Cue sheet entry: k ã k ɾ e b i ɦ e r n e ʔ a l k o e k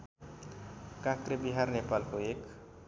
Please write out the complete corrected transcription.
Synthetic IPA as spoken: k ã k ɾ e b i ɦ a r n e p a l k o e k